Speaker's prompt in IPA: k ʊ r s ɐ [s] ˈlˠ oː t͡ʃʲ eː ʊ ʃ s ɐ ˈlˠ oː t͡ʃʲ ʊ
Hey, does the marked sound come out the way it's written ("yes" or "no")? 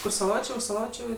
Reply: no